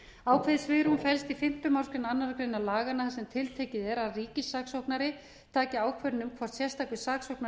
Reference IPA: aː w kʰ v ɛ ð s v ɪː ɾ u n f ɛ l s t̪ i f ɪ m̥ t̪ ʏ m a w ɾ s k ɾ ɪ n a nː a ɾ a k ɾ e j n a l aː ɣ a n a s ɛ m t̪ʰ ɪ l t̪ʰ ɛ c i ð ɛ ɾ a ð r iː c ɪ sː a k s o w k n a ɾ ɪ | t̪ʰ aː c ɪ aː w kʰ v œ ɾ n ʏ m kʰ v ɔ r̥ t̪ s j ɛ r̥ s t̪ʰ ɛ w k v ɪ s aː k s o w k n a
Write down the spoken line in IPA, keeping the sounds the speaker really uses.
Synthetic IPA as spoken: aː w kʰ v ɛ ð s v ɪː ɾ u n f ɛ l s t̪ i f ɪ m̥ t̪ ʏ m a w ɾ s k ɾ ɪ n a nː a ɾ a k ɾ e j n a l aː ɣ a n a s ɛ m t̪ʰ ɪ l t̪ʰ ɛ c ɪ ð ɛ ɾ a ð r iː c ɪ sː a k s o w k n a ɾ ɪ | t̪ʰ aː c ɪ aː w kʰ v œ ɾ n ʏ m kʰ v ɔ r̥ t̪ s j ɛ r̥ s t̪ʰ a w k v ɪ s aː k s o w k n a